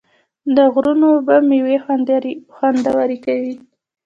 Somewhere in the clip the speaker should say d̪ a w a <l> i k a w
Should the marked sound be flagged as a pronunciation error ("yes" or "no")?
yes